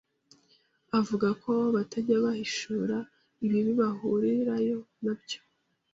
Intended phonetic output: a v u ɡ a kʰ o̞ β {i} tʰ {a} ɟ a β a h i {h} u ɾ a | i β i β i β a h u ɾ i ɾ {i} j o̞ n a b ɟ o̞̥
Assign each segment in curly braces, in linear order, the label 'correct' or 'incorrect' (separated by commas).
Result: incorrect, correct, incorrect, incorrect